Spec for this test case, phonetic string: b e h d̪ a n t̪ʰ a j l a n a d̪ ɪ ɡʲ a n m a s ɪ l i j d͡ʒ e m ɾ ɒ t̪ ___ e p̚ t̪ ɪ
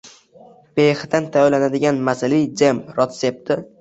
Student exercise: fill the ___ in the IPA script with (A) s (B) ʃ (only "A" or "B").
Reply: A